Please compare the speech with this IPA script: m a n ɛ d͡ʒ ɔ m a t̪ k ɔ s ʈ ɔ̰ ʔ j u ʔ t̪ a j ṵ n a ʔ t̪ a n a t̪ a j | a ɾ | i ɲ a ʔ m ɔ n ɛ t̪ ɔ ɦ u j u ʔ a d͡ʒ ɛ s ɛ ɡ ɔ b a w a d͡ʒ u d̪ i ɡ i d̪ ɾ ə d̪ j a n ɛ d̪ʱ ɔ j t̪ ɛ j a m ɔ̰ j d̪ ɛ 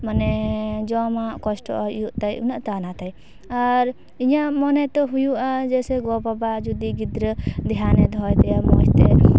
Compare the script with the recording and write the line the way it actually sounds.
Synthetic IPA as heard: m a n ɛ d͡ʒ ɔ m a k ɔ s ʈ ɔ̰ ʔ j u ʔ t̪ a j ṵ n a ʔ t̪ a n a t̪ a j | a ɾ | i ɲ a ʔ m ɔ n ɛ t̪ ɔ ɦ u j u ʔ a d͡ʒ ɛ s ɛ ɡ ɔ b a b a d͡ʒ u d̪ i ɡ i d̪ ɾ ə d̪ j a n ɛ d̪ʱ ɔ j t̪ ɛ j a m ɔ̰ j t̪ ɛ